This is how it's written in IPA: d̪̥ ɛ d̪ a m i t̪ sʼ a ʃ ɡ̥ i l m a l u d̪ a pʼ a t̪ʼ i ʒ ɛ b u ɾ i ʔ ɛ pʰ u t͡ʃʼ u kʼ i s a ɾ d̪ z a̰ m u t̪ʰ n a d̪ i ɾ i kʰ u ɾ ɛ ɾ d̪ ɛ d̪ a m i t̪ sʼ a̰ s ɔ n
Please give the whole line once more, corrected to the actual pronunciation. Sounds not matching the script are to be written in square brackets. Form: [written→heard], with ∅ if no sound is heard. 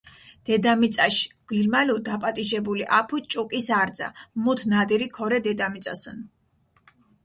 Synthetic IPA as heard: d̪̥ ɛ d̪ a m i t̪ sʼ a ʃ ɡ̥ i l m a l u d̪ a pʼ a t̪ʼ i ʒ ɛ b u [ɾ→l] i ʔ [ɛ→a] pʰ u t͡ʃʼ u kʼ i s a ɾ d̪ z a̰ m u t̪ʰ n a d̪ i ɾ i kʰ [u→ɔ] ɾ ɛ [ɾ→∅] d̪ ɛ d̪ a m i t̪ sʼ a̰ s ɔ n